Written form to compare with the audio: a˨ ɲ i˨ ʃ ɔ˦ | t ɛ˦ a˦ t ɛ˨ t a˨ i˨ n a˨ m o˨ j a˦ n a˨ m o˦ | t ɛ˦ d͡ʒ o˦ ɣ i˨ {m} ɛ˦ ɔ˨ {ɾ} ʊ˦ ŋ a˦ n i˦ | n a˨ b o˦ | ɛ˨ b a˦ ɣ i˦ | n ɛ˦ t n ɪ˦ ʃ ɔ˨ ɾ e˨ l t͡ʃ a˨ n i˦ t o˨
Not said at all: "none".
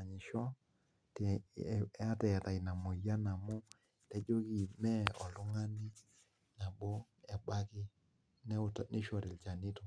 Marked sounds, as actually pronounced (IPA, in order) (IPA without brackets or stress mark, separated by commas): m, l